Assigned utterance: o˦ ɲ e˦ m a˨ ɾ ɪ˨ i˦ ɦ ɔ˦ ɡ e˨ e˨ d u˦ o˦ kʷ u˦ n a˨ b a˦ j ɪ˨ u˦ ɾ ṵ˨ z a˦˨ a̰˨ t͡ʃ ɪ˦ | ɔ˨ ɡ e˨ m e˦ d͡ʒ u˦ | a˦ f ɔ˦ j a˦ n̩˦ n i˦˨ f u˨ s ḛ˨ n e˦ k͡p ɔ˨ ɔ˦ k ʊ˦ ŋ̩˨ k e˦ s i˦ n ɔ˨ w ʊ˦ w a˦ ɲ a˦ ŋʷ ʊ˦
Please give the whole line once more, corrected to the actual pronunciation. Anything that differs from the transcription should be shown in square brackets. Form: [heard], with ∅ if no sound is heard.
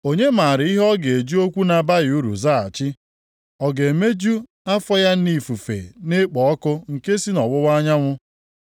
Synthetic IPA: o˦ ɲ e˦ m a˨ ɾ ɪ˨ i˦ ɦ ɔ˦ ɡ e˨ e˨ [d͡ʒ] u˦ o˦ kʷ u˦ n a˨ b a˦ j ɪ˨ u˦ ɾ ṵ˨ z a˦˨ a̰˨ t͡ʃ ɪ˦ | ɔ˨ ɡ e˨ m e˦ d͡ʒ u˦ | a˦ f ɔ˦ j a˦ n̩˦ n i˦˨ f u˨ [f] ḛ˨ n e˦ k͡p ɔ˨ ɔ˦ k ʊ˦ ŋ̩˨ k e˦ s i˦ n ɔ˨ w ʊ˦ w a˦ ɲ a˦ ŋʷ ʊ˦